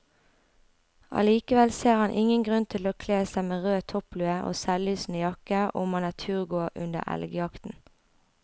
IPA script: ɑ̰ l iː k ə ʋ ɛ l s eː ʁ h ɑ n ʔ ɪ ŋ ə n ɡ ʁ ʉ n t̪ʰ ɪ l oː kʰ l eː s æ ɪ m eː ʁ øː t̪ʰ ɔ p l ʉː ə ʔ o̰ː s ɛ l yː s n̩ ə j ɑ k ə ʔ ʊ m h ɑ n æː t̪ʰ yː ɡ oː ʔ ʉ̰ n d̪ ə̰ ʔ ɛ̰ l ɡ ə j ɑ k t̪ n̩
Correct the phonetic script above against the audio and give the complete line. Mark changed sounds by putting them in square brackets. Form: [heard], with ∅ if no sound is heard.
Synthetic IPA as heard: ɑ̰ l iː k ə ʋ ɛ l s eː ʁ h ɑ n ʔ ɪ ŋ ə n ɡ ʁ ʉ n t̪ʰ ɪ l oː kʰ l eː s æ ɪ m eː ʁ øː t̪ʰ ɔ p l ʉː ə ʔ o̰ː s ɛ l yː s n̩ ə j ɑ k ə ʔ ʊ m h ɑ n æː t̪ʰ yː ɡ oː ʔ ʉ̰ n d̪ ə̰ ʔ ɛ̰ l ɡ ə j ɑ k t̪ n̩